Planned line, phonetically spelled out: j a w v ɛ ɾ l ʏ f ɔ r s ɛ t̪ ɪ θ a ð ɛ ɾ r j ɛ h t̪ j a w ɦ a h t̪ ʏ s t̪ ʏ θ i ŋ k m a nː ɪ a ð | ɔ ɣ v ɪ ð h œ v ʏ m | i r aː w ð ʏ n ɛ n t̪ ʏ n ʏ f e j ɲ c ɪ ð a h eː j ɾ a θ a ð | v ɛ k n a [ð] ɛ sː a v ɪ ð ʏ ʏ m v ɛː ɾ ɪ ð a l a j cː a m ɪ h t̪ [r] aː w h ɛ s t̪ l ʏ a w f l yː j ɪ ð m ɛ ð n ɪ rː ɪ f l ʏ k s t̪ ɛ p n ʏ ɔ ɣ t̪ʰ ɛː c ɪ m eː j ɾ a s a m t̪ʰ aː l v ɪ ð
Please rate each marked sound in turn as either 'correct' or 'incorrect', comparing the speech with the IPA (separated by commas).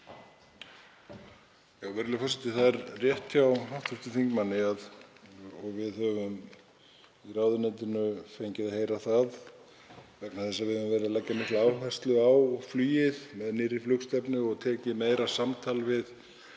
incorrect, incorrect